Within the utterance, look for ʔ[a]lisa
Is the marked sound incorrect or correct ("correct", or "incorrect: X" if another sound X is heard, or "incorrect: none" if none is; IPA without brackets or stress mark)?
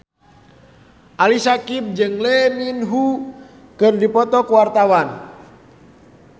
correct